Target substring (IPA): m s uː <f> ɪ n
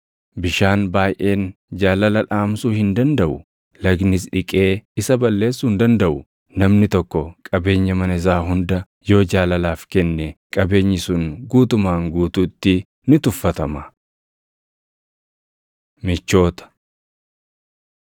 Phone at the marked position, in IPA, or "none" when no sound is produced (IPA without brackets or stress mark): h